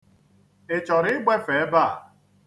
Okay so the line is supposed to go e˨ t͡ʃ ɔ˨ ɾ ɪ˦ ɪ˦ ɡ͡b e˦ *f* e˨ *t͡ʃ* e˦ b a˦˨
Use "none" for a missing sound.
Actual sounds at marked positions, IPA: f, none

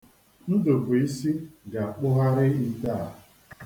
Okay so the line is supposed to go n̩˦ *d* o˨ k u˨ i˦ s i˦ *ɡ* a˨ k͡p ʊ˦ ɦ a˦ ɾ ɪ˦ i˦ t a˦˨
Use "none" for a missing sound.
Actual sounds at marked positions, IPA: d, ɡ

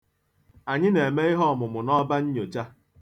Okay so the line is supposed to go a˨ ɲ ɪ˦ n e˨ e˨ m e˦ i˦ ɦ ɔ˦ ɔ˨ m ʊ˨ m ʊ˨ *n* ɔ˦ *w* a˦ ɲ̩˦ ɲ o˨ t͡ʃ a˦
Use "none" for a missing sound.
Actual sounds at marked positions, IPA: n, b

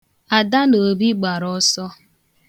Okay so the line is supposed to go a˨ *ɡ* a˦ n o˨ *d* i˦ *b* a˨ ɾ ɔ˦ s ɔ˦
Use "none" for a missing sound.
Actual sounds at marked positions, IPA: d, b, ɡ͡b

